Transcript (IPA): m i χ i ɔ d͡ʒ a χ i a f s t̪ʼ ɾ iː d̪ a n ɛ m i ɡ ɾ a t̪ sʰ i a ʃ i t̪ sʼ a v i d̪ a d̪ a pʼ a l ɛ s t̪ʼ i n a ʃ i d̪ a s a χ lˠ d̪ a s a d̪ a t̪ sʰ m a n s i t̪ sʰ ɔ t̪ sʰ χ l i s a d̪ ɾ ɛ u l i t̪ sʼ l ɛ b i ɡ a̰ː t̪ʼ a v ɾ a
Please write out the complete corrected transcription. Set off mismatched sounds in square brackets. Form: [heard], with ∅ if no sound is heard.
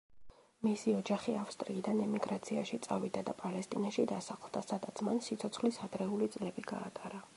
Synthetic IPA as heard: m i [s] i ɔ d͡ʒ a χ i a f s t̪ʼ ɾ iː d̪ a n ɛ m i ɡ ɾ a t̪ sʰ i a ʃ i t̪ sʼ a v i d̪ a d̪ a pʼ a l ɛ s t̪ʼ i n a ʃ i d̪ a s a χ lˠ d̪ a s a d̪ a t̪ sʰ m a n s i t̪ sʰ ɔ t̪ sʰ χ l i s a d̪ ɾ ɛ u l i t̪ sʼ l ɛ b i ɡ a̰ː t̪ʼ a [∅] ɾ a